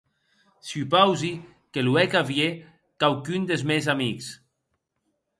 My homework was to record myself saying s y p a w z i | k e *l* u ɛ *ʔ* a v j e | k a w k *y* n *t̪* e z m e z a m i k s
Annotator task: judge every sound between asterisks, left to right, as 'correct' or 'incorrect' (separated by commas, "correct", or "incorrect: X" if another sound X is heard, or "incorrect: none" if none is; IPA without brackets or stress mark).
correct, incorrect: k, correct, incorrect: d̪